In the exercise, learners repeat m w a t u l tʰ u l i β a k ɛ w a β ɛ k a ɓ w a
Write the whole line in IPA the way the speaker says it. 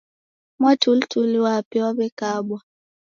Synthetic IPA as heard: m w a t u l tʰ u l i w a p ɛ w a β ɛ k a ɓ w a